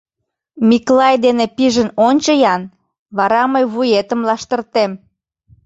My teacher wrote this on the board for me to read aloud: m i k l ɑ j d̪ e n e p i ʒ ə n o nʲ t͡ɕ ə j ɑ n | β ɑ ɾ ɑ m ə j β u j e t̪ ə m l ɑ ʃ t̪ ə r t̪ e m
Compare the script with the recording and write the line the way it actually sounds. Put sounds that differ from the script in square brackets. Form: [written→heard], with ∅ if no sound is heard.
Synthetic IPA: m i k l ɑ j d̪ e n e p i ʒ ə n o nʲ t͡ɕ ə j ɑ n | β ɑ ɾ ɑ m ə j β u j e t̪ ə m l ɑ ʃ t̪ ə r t̪ e m